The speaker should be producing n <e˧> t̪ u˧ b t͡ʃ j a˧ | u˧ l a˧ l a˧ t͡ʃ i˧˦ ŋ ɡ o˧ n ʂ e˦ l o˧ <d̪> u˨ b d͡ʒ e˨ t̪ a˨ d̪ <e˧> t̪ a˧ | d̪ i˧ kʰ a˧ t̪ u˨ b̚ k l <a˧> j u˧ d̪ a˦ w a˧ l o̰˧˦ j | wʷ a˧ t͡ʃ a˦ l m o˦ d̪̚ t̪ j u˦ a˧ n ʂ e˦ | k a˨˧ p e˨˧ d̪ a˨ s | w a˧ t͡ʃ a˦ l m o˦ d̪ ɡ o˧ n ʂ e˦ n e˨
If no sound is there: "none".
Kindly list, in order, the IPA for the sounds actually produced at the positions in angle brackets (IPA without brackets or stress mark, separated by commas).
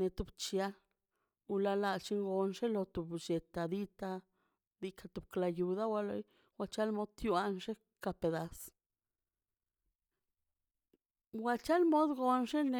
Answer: e˧, t̪, i˧, a˧